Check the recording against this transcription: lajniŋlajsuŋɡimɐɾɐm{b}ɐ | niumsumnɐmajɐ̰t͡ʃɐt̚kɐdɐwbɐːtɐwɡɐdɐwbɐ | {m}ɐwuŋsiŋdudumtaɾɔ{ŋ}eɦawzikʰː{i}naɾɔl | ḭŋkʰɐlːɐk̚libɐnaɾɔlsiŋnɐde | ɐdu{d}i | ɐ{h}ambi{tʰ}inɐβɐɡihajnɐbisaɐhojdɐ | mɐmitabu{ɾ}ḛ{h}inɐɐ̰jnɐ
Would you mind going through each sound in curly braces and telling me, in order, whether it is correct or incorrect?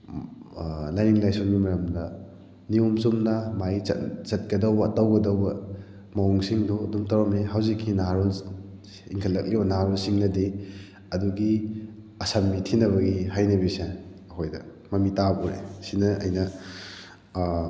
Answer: incorrect, correct, incorrect, correct, incorrect, incorrect, correct, correct, incorrect

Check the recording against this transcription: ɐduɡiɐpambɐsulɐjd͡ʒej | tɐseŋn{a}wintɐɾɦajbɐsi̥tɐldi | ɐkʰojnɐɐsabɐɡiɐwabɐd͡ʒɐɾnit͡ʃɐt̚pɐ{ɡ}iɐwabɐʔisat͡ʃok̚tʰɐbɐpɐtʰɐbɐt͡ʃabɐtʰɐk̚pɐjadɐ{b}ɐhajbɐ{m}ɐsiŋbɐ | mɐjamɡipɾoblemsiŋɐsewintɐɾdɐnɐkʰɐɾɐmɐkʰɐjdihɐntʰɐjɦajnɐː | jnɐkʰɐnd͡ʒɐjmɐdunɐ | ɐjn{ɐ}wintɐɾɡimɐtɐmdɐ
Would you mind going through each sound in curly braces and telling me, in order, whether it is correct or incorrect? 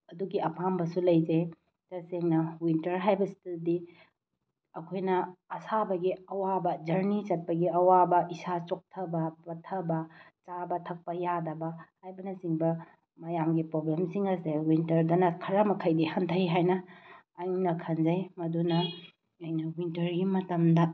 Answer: incorrect, correct, correct, incorrect, correct

